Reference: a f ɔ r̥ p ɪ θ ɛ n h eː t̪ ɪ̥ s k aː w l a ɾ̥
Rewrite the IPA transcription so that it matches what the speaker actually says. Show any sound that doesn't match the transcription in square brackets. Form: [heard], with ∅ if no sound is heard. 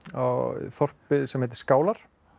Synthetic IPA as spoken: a [θ] ɔ r̥ p ɪ [s] ɛ [m] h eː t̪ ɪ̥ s k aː w l a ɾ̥